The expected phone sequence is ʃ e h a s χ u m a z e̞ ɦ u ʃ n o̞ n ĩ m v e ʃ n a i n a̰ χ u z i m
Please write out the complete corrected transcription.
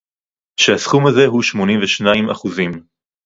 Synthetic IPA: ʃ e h a s χ u m a z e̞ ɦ u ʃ m o̞ n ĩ m v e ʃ n a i m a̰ χ u z i m